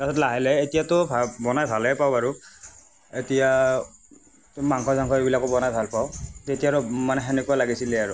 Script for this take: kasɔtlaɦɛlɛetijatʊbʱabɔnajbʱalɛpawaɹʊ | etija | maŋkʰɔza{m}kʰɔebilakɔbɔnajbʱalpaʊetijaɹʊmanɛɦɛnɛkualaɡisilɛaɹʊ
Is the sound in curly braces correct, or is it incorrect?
incorrect